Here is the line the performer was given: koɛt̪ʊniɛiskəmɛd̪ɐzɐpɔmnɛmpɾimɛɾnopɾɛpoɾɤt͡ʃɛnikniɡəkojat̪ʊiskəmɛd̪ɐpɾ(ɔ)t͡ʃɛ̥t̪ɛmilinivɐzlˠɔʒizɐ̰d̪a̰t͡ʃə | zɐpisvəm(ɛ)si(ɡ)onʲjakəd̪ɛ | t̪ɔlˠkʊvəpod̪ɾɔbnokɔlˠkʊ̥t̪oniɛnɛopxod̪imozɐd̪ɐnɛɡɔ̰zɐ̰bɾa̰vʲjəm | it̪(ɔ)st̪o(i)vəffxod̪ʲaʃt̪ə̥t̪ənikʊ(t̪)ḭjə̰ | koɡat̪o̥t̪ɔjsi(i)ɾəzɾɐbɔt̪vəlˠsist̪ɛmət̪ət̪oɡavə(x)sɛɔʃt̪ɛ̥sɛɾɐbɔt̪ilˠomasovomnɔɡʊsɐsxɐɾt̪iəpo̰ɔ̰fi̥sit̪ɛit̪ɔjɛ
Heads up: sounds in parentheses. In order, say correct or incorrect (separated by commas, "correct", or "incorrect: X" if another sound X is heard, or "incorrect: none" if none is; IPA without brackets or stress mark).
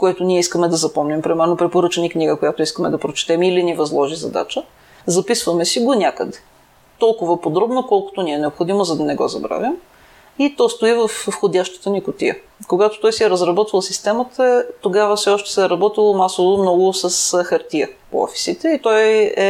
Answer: incorrect: o, correct, correct, correct, correct, correct, incorrect: ɛ, incorrect: f